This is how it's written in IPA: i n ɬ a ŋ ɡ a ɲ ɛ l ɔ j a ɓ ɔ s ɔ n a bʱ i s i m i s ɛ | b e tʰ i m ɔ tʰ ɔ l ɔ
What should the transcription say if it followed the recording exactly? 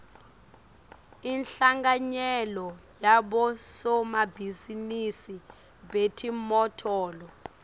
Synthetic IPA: i n ɬ a ŋ ɡ a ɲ ɛ l ɔ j a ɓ ɔ s ɔ m a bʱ i z i n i s i | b e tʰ i m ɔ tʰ ɔː l ɔ